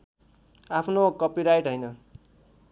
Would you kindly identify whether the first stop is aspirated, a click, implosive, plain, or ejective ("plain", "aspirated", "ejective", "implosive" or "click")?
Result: aspirated